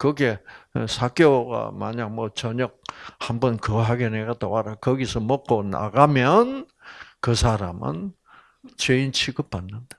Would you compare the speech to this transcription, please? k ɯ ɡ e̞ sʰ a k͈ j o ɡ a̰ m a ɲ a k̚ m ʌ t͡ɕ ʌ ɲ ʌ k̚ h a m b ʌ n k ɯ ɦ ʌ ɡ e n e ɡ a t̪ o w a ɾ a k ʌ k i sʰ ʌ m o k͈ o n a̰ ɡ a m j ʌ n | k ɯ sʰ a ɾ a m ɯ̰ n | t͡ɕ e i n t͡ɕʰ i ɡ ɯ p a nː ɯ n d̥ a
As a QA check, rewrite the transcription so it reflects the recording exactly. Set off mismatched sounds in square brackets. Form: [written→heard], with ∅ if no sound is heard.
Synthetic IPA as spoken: k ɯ ɡ e̞ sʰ a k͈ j o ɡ a̰ m a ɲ a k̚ m ʌ t͡ɕ ʌ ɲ ʌ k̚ h a m b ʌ n k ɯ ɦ [ʌ→a] ɡ e n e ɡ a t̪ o w a ɾ a k ʌ [k→ɡ] i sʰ ʌ m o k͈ o n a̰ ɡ a m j ʌ n | k ɯ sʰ a ɾ a m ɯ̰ n | t͡ɕ e i n t͡ɕʰ i ɡ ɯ p a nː ɯ n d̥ a